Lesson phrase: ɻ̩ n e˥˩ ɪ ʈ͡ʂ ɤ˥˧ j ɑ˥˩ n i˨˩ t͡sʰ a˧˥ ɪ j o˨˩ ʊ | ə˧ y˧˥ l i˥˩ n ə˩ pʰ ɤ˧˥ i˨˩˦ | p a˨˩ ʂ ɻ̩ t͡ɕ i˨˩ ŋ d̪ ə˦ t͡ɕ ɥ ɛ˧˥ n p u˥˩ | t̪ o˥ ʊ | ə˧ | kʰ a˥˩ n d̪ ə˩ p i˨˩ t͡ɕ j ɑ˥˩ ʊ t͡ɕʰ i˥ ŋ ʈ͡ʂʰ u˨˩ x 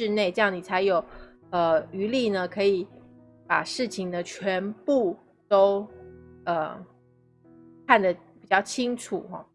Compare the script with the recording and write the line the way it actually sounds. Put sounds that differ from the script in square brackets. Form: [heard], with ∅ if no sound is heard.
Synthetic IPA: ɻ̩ n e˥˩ ɪ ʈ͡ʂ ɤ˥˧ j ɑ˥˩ n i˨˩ t͡sʰ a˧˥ ɪ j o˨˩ ʊ | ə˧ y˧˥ l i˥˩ n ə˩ [kʰ] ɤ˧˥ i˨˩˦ | p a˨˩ ʂ ɻ̩ [t͡ɕʰ] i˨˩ ŋ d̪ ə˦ [t͡ɕʰ] ɥ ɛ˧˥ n p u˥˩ | t̪ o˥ ʊ | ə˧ | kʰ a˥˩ n d̪ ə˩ p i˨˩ t͡ɕ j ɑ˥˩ ʊ t͡ɕʰ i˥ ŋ ʈ͡ʂʰ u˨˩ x